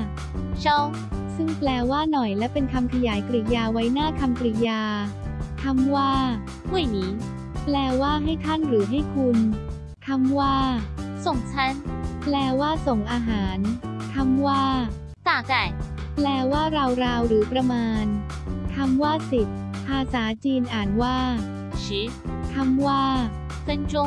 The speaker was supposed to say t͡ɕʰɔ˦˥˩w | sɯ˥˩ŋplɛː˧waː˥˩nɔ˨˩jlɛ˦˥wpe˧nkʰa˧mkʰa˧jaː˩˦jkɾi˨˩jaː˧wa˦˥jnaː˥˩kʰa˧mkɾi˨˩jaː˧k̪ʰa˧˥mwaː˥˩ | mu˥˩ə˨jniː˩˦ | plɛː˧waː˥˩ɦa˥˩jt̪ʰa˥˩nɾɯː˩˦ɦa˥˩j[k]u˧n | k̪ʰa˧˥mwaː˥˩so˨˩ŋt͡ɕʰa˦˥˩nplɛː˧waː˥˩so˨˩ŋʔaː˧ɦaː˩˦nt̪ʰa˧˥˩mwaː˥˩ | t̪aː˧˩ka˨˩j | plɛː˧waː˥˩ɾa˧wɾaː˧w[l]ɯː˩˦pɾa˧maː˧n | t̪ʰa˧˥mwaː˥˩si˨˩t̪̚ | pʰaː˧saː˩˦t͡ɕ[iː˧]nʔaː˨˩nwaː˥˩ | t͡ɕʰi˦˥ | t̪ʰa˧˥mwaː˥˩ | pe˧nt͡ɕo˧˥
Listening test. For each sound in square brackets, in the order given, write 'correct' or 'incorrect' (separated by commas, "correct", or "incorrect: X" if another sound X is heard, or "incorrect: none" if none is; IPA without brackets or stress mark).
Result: incorrect: kʰ, incorrect: ɾ, correct